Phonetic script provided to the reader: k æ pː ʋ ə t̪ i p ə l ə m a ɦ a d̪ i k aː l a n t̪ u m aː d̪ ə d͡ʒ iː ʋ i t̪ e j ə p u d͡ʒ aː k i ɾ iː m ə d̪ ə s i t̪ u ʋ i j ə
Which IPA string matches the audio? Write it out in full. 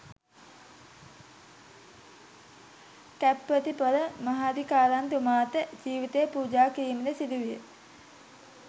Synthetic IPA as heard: k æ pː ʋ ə t̪ i p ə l ə m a ɦ a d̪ i k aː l a n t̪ u m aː t̪ ə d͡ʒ iː ʋ i t̪ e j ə p uː d͡ʒ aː k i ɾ iː m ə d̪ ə s i d̪ u ʋ i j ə